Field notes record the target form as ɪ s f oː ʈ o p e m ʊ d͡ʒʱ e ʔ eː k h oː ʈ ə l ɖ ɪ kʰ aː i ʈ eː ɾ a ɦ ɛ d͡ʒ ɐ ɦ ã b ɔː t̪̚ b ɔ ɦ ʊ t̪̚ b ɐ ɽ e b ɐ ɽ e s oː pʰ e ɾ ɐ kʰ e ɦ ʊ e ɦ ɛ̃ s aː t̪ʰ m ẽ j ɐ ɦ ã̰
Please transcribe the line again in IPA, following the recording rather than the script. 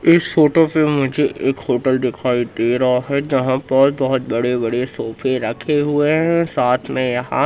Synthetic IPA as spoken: ɪ s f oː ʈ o p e m ʊ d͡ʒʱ e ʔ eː k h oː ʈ ə l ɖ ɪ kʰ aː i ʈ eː ɾ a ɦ ɛ d͡ʒ ɐ ɦ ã b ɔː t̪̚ b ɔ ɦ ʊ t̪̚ b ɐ ɽ e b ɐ ɽ e s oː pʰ e ɾ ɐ kʰ e ɦ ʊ e ɦ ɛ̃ s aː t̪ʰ m ẽ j ɐ ɦ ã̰